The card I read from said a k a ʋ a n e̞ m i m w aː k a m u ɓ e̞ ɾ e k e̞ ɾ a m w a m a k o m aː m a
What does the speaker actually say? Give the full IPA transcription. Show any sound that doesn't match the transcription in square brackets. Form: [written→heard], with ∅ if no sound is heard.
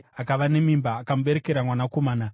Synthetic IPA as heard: a k a ʋ a n e̞ m i m [w→b] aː k a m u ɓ e̞ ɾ e k e̞ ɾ a m w a [m→n] a k o m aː [m→n] a